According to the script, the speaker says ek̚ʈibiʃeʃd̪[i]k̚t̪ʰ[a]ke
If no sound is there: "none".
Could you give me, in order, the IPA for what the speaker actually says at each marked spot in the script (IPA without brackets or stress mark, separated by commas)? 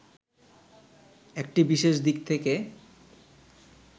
i, e